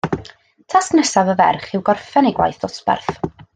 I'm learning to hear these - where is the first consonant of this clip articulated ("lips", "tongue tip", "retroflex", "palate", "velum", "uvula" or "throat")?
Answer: tongue tip